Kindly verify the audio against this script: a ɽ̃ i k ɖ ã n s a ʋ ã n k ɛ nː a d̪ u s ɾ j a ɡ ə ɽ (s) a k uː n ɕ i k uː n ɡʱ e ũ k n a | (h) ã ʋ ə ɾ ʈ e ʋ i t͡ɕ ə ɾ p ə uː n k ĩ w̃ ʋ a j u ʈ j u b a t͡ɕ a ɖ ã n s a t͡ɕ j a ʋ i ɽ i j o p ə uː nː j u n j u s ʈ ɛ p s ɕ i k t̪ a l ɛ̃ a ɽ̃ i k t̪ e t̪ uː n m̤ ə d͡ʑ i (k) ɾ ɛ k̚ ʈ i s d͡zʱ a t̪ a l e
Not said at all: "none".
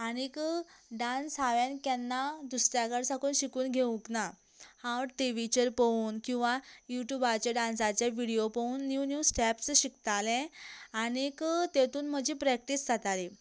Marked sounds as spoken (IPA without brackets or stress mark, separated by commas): s, h, p